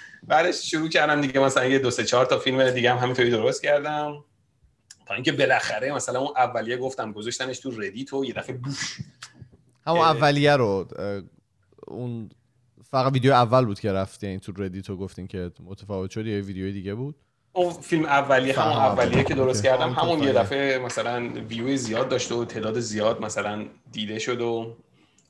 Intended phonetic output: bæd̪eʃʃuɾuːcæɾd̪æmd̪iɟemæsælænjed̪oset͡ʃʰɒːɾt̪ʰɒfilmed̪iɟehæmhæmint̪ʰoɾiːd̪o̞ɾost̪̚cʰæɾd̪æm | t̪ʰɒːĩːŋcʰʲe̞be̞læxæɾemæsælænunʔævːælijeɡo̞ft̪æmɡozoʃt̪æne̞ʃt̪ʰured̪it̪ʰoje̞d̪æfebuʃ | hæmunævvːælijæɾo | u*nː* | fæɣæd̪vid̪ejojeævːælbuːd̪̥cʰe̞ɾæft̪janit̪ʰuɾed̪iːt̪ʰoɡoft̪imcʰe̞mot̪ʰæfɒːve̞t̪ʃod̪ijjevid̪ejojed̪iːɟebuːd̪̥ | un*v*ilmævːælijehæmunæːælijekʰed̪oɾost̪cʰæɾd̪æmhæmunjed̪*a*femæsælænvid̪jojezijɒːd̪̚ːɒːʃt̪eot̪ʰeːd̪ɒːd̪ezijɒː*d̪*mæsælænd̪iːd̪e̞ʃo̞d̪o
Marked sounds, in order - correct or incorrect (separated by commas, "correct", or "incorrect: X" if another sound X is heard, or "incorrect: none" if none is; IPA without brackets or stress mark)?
incorrect: n, incorrect: f, incorrect: æ, correct